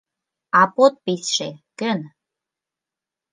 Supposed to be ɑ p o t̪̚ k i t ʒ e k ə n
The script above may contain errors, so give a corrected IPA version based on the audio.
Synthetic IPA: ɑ p o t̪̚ p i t ʃ e k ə n